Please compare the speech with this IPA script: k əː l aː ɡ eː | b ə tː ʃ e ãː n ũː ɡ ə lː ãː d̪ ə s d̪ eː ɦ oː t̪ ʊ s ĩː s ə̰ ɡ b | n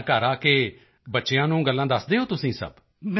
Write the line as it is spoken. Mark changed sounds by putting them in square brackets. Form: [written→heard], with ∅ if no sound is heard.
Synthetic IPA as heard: k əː [l→ɾ] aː [ɡ→k] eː | b ə tː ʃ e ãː n ũː ɡ ə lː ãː d̪ ə s d̪ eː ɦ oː t̪ ʊ s ĩː s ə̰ [ɡ→∅] b | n